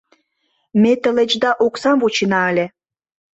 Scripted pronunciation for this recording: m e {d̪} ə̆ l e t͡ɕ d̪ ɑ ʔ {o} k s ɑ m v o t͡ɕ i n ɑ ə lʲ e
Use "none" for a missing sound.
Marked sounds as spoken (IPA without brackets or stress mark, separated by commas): t̪, o